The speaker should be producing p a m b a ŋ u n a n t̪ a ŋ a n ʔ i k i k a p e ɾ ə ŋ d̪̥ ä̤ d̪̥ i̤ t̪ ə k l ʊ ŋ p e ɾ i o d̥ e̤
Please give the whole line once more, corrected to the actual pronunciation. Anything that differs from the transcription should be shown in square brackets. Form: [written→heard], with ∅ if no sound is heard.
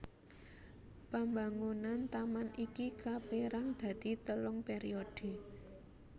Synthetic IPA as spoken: p a m b a ŋ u n a n t̪ a [ŋ→m] a n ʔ i k i k a p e ɾ [ə→a] ŋ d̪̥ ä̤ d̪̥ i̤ t̪ ə [k→∅] l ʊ ŋ p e ɾ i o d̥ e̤